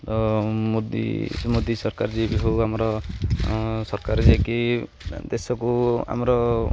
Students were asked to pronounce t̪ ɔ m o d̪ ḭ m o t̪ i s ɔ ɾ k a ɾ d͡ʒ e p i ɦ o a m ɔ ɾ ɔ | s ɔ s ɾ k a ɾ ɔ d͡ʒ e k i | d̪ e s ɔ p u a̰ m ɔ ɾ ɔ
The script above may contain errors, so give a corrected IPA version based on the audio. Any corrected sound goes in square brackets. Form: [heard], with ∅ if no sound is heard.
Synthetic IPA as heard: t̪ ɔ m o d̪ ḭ m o [d̪] i s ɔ ɾ k a ɾ d͡ʒ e [b] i ɦ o a m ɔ ɾ ɔ | s ɔ [∅] ɾ k a ɾ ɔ d͡ʒ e k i | d̪ e s ɔ [k] u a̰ m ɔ ɾ ɔ